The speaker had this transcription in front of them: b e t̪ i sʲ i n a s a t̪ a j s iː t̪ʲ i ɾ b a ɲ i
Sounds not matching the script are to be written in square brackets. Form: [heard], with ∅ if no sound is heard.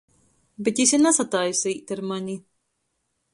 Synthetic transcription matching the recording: b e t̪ i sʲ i n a s a t̪ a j s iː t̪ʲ [a] ɾ [m] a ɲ i